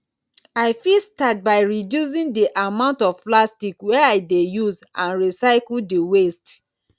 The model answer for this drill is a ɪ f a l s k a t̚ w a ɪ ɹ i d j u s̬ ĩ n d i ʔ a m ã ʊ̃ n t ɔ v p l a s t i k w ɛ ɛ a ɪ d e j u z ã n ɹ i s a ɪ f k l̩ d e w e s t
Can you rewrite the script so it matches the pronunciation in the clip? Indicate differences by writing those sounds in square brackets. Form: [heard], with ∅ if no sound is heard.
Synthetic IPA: a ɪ f [i] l s [t] a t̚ [b] a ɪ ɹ i d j u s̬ ĩ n d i ʔ a m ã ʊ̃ n t ɔ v p l a s t i k w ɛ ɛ a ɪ d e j u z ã n ɹ i s a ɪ [∅] k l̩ d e w e s t

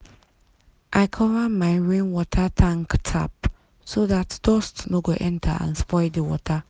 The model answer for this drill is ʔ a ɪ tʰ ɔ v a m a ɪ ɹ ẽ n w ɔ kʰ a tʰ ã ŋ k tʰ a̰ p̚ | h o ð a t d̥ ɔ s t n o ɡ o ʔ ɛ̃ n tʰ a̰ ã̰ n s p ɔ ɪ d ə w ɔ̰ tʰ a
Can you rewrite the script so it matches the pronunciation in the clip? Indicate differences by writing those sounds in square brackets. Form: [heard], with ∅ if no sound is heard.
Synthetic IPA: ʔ a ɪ [kʰ] ɔ v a m a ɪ ɹ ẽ n w ɔ [tʰ] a tʰ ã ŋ k tʰ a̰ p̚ | [s] o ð a t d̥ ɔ s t n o ɡ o ʔ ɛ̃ n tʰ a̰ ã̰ n s p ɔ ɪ d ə w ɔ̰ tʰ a

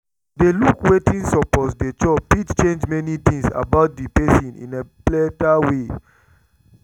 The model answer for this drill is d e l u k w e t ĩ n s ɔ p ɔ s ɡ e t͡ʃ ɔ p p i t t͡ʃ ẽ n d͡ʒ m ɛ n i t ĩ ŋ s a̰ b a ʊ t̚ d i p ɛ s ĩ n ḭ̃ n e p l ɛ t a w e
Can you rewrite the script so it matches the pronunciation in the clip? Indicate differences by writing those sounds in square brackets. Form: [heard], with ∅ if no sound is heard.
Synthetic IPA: d e l u k w e t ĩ n s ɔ p ɔ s [d] e t͡ʃ ɔ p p i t t͡ʃ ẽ n d͡ʒ m ɛ n i t ĩ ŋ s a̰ b a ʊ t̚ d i p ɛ s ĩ n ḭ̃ n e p l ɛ t a w e

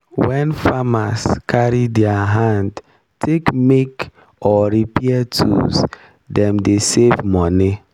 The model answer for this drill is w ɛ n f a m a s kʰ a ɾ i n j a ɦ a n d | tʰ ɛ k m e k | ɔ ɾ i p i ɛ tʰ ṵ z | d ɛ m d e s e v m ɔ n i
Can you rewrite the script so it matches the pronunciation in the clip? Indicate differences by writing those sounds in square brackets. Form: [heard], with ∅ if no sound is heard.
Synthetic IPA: w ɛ n f a m a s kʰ a ɾ i [d] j a ɦ a n d | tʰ [e] k m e k | ɔ ɾ i p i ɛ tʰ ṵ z | d ɛ m d e s e v m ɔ n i

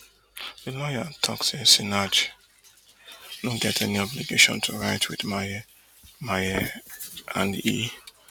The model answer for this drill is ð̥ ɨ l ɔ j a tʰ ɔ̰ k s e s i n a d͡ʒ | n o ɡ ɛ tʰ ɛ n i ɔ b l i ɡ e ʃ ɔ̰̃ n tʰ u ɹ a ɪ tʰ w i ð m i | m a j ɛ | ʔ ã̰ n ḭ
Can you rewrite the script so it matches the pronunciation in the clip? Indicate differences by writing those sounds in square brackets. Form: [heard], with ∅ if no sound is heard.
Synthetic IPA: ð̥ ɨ l ɔ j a tʰ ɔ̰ k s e s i n a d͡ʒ | n o ɡ ɛ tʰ ɛ n i ɔ b l i ɡ e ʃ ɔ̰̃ n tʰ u ɹ a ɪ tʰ w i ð m [a] | m a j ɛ | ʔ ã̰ n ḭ

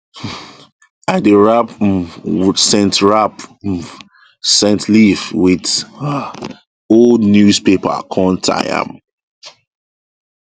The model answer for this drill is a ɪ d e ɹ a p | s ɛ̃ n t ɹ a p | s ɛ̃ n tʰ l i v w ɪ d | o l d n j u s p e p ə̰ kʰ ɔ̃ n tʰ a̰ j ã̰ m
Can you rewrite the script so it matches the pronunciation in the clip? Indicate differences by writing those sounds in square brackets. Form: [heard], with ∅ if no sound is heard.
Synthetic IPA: a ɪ d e ɹ a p | s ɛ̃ n t ɹ a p | s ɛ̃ n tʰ l i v w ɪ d | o l d n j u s p e p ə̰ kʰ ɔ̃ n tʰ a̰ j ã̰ m

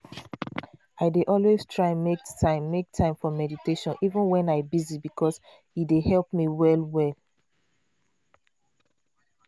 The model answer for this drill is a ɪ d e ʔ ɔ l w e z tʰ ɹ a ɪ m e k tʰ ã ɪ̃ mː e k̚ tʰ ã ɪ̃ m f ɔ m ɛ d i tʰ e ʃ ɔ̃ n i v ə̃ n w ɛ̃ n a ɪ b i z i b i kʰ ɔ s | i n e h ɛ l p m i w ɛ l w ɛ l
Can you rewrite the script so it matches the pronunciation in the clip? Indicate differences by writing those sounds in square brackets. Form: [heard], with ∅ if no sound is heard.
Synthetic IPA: a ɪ d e ʔ ɔ l w e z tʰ ɹ a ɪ m e k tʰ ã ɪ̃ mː e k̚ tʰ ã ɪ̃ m f ɔ m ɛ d i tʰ e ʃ ɔ̃ n i v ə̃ n w ɛ̃ n a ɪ b i z i b i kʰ ɔ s | i [d] e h ɛ l p m i w ɛ l w ɛ l

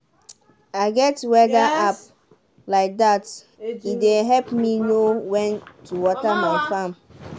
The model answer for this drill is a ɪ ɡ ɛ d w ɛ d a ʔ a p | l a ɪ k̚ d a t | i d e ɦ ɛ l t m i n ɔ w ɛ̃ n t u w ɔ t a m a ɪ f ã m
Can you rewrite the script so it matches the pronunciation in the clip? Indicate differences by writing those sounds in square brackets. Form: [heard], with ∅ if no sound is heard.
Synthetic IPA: a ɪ ɡ ɛ [t] w ɛ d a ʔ a p | l a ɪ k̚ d a t | i d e ɦ ɛ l [p] m i n [o] w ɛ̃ n t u w ɔ t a m a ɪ f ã m

